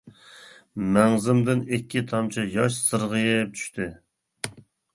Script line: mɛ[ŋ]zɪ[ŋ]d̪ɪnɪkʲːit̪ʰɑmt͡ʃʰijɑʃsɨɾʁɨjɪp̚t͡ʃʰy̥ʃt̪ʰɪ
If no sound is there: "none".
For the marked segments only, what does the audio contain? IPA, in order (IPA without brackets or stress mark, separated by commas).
ŋ, m